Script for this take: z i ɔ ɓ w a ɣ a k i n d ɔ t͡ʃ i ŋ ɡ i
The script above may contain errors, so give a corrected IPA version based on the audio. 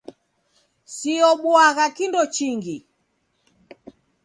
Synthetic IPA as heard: s i ɔ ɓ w a ɣ a k i n d ɔ t͡ʃ i ŋ ɡ i